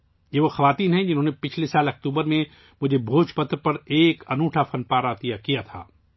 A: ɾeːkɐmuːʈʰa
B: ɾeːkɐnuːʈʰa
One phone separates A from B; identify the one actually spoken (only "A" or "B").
B